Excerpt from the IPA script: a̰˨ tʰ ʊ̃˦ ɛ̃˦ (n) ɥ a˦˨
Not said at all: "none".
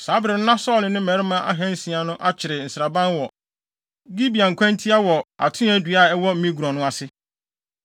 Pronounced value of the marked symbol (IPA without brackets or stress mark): d